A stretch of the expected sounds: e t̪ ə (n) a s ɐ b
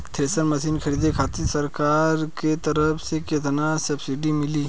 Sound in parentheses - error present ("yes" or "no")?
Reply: no